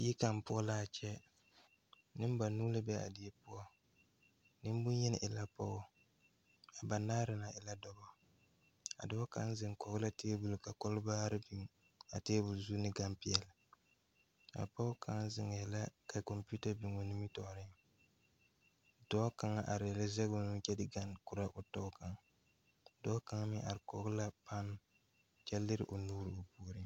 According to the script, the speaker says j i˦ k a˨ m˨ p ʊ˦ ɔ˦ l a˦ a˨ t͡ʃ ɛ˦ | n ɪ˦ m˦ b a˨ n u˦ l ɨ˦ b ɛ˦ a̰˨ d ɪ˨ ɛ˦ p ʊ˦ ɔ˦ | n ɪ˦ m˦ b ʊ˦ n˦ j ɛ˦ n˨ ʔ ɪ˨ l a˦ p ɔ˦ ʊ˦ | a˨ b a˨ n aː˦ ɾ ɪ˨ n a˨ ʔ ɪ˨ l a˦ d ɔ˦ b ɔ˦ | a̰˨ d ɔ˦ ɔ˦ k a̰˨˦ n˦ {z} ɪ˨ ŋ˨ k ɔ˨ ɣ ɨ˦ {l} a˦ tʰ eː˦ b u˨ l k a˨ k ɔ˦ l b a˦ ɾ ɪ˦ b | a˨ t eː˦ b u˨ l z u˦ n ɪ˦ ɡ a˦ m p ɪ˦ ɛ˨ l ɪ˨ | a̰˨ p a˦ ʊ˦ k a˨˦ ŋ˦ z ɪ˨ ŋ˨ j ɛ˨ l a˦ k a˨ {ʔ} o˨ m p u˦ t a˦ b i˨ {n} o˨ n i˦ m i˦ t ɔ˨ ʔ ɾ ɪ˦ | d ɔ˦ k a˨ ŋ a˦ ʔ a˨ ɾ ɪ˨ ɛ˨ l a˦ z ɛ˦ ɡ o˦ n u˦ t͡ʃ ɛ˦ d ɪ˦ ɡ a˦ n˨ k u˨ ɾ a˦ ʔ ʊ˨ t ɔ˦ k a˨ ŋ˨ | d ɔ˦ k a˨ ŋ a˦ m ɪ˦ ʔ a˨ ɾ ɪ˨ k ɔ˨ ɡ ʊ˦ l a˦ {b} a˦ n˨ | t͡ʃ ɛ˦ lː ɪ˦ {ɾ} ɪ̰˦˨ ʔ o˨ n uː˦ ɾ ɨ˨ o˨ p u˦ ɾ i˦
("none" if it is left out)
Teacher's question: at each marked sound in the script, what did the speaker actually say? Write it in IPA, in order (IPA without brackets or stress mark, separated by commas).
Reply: z, l, k, ŋ, p, ɾ